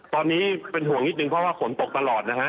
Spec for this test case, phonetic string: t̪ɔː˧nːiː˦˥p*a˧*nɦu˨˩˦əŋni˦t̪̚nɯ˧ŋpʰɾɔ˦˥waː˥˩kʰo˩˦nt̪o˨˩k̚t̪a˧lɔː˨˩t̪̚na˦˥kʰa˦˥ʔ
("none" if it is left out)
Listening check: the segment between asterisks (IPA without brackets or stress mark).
e˧